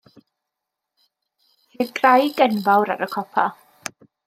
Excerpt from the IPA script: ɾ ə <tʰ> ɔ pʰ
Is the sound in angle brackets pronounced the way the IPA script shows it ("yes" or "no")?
no